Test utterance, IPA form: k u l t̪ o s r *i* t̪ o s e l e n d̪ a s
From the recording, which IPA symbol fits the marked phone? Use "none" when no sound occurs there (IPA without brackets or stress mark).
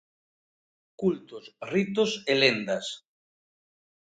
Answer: i